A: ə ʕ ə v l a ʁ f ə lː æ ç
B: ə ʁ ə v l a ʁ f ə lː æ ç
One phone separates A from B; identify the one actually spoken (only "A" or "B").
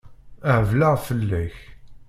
A